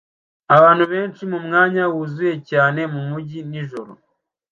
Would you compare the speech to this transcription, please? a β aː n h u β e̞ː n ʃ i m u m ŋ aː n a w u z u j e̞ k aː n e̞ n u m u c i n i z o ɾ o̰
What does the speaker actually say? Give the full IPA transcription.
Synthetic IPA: a β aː n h u β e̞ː n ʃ i m u m ŋ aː ɲ a w u z u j e̞ c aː n e̞ m u m u ɟ i n i ʒ o ɾ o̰